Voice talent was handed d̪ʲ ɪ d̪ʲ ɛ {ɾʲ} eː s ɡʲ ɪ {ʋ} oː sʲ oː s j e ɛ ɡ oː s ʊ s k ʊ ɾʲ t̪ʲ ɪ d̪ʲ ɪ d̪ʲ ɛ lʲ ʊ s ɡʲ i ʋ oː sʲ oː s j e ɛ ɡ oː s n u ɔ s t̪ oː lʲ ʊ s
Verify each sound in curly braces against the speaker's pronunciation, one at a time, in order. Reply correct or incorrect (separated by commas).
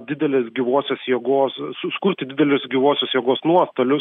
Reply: incorrect, correct